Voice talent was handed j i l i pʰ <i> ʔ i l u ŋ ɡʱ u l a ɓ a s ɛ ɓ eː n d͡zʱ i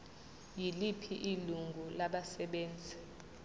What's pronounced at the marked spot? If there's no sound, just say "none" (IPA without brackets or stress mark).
i